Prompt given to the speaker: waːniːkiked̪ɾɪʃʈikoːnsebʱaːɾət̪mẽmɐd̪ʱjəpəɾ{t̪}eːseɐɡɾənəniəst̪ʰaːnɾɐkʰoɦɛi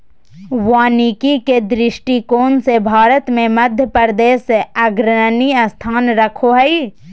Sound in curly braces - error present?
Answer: yes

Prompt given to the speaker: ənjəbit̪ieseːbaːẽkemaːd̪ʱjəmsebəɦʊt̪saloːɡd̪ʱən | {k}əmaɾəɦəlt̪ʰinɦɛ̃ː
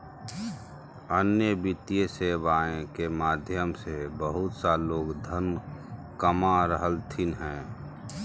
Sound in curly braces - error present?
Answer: no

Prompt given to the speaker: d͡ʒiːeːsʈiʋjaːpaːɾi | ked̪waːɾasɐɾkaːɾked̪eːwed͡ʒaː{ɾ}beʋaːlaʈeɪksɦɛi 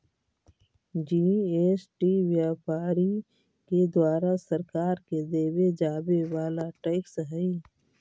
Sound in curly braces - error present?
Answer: yes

